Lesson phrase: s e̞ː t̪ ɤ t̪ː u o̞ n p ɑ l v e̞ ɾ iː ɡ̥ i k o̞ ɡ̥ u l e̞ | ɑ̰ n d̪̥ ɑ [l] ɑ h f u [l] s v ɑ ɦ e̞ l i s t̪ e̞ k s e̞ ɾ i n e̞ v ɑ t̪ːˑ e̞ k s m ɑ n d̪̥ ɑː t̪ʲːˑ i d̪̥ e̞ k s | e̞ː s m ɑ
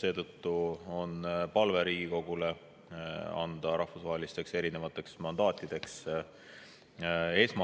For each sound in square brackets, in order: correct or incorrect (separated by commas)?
incorrect, incorrect